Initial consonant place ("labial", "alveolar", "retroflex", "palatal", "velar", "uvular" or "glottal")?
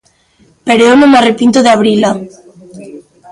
labial